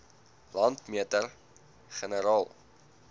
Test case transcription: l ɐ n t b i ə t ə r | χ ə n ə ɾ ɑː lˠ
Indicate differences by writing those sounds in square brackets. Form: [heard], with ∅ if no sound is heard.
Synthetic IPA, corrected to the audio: l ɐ n t [m] i ə t ə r | χ ə n ə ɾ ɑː lˠ